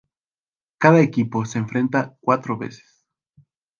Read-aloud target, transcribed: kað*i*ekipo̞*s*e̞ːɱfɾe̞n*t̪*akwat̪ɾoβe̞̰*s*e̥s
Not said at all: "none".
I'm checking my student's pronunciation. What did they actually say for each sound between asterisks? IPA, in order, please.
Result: a, s, t̪, s

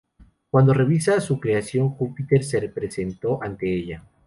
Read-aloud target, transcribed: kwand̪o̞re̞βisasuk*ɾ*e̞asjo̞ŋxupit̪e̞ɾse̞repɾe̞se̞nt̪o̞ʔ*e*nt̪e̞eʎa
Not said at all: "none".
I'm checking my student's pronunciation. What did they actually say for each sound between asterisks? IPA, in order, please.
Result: ɾ, a

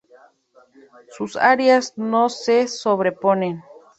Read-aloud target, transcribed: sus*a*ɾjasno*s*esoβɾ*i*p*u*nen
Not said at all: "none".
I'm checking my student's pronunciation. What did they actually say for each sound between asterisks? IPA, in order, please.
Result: a, s, e, o

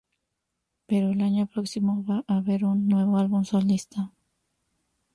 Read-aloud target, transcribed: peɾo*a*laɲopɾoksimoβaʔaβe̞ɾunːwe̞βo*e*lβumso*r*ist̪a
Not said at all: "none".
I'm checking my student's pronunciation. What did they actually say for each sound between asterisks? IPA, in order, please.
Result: e, a, l

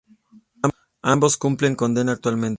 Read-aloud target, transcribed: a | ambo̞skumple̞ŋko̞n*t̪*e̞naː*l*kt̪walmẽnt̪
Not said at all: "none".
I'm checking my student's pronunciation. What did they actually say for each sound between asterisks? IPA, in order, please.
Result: d̪, none

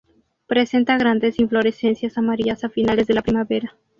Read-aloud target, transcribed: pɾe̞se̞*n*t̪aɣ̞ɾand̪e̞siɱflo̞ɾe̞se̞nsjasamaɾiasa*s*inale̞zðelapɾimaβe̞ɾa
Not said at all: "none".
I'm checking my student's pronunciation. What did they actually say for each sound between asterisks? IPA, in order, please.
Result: n, f

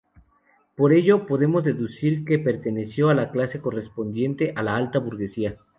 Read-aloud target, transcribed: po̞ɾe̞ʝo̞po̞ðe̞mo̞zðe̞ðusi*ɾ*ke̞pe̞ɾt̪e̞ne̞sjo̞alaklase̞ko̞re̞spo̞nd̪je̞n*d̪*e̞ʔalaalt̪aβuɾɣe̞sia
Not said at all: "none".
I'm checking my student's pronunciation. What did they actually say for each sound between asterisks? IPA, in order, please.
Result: ɾ, t̪

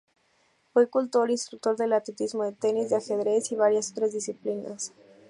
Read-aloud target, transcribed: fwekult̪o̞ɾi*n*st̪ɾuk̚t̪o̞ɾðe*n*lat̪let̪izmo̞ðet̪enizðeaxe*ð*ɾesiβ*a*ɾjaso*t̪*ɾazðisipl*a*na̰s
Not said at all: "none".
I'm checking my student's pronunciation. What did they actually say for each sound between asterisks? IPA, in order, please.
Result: n, none, ð, a, t̪, i

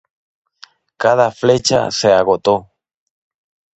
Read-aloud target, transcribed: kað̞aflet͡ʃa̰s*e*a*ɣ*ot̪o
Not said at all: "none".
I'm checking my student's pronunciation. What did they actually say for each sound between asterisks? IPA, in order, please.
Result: e, ɣ

